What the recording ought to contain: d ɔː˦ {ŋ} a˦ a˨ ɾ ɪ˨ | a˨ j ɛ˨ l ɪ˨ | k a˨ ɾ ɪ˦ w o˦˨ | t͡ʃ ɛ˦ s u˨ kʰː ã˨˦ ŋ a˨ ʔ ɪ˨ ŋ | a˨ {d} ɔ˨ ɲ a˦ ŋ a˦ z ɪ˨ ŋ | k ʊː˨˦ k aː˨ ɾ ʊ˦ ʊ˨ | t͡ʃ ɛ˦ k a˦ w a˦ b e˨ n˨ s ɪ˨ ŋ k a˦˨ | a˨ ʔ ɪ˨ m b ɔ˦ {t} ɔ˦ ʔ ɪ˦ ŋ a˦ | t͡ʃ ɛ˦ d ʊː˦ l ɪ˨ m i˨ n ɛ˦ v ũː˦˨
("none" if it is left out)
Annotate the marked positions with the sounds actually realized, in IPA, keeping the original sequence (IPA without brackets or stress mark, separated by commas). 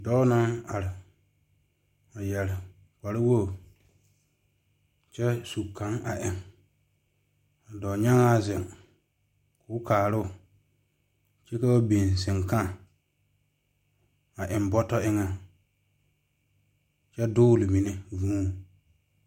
n, d, t